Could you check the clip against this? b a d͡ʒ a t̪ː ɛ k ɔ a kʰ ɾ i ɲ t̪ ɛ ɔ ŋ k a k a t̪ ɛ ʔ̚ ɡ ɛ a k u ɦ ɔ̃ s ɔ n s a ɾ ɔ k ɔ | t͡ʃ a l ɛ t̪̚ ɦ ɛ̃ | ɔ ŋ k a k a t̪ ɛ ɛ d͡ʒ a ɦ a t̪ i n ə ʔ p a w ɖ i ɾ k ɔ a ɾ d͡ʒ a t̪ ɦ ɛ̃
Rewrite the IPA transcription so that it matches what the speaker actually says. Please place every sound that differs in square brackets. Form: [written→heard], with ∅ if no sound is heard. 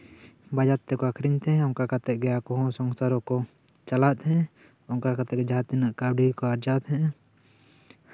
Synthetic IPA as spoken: b a d͡ʒ a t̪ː ɛ k ɔ a kʰ ɾ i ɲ t̪ ɛ ɔ ŋ k a k a t̪ ɛ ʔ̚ ɡ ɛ a k [u→ɔ] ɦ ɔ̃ s ɔ [n→ŋ] s a ɾ ɔ k ɔ | t͡ʃ a l [ɛ→a] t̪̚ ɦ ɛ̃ | ɔ ŋ k a k a t̪ ɛ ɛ d͡ʒ a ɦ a t̪ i n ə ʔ [p→k] a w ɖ i ɾ k ɔ a ɾ d͡ʒ a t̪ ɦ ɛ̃